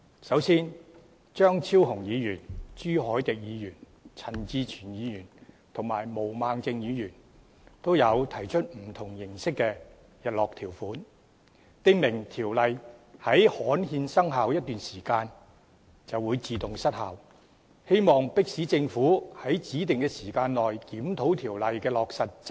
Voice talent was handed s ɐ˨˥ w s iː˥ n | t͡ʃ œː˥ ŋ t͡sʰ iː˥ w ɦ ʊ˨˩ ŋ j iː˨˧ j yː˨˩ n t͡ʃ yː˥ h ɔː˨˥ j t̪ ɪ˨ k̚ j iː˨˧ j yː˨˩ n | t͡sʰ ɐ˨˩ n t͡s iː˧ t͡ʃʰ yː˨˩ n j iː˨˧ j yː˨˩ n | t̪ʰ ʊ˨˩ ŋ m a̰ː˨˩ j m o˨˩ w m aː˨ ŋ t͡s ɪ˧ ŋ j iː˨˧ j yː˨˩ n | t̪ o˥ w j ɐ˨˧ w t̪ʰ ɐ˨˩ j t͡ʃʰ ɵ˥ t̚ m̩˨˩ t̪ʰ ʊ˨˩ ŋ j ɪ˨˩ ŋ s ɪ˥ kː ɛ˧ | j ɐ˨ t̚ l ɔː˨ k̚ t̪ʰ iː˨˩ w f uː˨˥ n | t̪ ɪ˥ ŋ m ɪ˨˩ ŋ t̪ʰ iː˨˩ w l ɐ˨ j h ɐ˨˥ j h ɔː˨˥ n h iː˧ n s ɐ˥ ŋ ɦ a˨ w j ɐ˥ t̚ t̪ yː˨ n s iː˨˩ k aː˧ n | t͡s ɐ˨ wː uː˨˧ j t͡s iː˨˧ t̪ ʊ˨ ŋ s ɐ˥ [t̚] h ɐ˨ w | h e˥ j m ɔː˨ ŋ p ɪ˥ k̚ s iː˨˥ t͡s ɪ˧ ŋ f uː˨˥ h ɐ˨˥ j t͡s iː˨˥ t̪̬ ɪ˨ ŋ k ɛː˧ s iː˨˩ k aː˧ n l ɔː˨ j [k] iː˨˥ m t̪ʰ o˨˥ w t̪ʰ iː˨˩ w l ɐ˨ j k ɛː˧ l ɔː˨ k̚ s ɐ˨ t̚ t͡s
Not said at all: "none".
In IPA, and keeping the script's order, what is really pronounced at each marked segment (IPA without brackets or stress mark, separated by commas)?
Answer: t̚, k